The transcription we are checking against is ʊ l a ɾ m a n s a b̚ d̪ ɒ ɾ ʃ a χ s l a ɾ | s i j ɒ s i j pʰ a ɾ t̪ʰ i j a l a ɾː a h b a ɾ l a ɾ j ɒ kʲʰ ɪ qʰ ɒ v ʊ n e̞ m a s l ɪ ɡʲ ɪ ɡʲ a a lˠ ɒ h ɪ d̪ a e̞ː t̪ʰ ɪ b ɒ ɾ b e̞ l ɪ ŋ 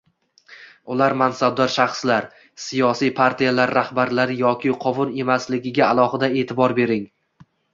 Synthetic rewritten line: ʊ l a ɾ m a n s a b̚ d̪ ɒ ɾ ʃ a χ s l a ɾ | s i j ɒ s i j pʰ a ɾ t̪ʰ i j a l a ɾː a h b a ɾ l a ɾ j ɒ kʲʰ ɪ qʰ ɒ v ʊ n e̞ m a s l ɪ ɡʲ ɪ ɡʲ a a lˠ ɒ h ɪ d̪ a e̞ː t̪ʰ ɪ b ɒ ɾ b e̞ ɾ ɪ ŋ